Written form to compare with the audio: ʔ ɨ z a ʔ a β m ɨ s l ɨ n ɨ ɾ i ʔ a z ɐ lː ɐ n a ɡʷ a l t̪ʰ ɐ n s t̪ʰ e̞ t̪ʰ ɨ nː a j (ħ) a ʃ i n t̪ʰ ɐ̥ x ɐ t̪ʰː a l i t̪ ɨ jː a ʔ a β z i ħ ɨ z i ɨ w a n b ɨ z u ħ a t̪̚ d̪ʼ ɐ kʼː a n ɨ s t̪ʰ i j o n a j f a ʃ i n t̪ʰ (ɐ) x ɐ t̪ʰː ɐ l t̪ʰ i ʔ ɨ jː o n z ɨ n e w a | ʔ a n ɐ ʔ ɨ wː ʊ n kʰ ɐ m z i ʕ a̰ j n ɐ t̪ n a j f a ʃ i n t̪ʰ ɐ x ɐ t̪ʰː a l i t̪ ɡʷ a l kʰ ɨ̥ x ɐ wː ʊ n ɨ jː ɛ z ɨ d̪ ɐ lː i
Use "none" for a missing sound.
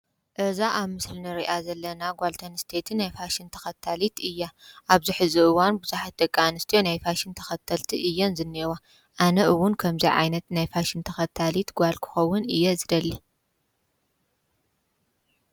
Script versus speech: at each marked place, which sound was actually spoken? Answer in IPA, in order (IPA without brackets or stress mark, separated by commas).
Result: f, ɐ